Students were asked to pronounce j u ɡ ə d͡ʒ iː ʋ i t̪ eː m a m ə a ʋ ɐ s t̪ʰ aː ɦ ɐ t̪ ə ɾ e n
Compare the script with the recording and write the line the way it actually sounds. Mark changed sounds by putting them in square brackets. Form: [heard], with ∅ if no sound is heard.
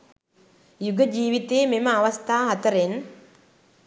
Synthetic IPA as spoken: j u ɡ ə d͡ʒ iː ʋ i t̪ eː m [e] m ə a ʋ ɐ s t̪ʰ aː ɦ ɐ t̪ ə ɾ e n

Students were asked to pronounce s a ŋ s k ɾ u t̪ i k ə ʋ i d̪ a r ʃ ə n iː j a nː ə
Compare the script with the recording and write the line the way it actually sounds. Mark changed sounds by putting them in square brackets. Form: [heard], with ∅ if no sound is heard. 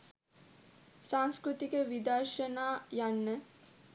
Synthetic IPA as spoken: s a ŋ s k ɾ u t̪ i k ə ʋ i d̪ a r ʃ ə n [aː] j a nː ə

